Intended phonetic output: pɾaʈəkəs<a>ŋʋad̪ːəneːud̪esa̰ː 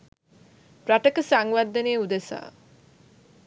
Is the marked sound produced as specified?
yes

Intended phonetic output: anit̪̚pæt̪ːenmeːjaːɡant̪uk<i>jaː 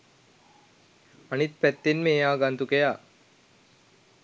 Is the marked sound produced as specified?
no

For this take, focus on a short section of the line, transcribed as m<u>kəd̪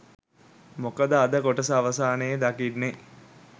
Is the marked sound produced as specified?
no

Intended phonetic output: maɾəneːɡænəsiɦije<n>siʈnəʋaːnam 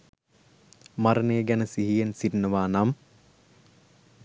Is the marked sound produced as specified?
yes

